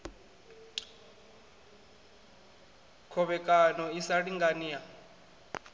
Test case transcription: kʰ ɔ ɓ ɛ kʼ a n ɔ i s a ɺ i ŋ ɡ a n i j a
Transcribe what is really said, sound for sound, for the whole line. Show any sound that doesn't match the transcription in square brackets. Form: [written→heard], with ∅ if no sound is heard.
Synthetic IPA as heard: kʰ ɔ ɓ ɛ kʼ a n ɔ i s a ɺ i ŋ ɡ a n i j a